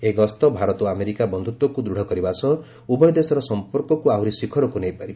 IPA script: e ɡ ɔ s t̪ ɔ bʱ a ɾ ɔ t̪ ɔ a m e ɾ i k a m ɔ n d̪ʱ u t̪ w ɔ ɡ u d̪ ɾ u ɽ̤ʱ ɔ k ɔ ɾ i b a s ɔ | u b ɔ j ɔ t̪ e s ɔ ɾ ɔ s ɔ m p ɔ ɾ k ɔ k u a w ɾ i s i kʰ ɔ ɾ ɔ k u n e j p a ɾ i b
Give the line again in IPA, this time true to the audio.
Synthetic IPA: e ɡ ɔ s t̪ ɔ bʱ a ɾ ɔ t̪ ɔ a m e ɾ i k a b ɔ n d̪ʱ u t̪ w ɔ k u d̪ ɾ u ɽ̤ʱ ɔ k ɔ ɾ i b a s ɔ | u b ɔ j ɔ d̪ e s ɔ ɾ ɔ s ɔ m p ɔ ɾ k ɔ k u a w ɾ i s i kʰ ɔ ɾ ɔ k u n e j p a ɾ i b